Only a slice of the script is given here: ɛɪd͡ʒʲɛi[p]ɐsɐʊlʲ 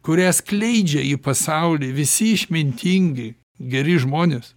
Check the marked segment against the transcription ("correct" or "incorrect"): correct